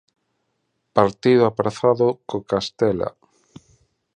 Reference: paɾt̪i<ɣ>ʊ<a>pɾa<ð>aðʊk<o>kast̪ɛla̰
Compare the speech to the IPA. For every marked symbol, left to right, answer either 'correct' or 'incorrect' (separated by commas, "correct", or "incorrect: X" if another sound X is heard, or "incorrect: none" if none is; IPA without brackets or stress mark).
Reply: incorrect: ð, correct, incorrect: θ, correct